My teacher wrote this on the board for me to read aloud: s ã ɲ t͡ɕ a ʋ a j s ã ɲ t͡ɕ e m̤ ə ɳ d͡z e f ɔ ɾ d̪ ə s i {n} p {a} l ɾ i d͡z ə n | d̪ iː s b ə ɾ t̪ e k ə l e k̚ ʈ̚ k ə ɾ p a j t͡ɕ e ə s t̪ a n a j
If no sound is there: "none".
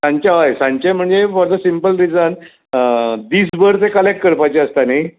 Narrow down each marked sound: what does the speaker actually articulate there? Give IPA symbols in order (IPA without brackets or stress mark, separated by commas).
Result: m, ə